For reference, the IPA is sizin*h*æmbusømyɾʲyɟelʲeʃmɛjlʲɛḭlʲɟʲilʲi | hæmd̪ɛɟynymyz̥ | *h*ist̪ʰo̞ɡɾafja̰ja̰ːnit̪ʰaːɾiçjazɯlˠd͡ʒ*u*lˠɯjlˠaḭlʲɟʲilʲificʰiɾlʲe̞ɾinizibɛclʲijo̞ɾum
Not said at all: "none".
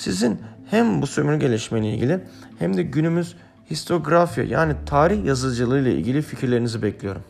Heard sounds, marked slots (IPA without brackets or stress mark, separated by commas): h, h, ɯ